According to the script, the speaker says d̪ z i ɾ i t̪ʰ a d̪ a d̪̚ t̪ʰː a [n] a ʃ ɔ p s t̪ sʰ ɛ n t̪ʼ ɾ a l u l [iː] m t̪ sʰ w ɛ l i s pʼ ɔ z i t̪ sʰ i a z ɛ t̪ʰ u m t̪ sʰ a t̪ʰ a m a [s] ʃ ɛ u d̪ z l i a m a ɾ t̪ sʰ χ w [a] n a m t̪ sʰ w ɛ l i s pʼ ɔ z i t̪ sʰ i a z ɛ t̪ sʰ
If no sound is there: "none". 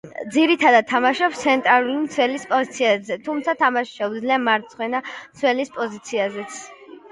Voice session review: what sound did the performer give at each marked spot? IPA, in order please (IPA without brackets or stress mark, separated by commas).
m, i, ʃ, ɛ